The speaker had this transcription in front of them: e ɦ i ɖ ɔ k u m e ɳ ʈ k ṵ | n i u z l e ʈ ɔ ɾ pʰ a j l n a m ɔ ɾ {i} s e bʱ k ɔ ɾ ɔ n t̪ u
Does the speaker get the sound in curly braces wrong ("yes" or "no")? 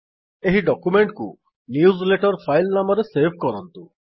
yes